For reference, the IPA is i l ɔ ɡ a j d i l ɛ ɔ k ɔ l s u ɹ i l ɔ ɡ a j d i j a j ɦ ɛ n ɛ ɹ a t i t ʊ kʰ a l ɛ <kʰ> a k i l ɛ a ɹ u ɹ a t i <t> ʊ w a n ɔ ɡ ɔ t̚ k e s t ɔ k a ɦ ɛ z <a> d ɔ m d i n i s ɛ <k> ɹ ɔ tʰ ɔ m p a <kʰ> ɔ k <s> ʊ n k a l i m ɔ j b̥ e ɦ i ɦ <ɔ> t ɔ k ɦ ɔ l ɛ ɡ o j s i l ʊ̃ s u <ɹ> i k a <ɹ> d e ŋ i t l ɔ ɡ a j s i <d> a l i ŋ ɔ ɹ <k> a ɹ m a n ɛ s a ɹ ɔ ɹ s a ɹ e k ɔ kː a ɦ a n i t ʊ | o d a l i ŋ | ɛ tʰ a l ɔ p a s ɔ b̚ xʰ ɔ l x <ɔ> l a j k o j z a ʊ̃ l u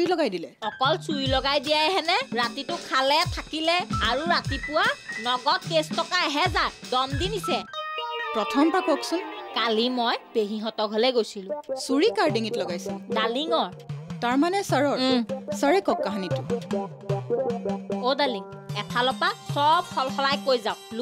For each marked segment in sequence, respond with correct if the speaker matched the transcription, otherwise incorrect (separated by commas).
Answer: incorrect, incorrect, correct, incorrect, incorrect, correct, correct, correct, correct, correct, incorrect, correct